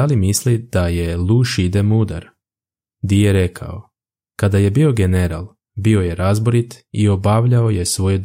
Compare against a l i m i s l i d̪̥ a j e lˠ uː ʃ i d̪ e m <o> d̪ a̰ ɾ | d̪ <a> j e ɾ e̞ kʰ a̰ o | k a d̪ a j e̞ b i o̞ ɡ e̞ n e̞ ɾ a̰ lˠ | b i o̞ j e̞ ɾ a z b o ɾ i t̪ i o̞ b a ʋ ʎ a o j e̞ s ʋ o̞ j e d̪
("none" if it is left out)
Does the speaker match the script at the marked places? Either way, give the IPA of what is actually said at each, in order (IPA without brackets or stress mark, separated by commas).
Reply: u, i